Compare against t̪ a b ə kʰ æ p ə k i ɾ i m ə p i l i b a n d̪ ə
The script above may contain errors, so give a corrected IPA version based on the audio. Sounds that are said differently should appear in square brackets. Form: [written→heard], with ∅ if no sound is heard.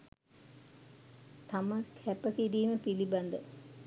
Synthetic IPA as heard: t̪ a [b→m] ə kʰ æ p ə k i ɾ [i→iː] m ə p i l i b a n d̪ ə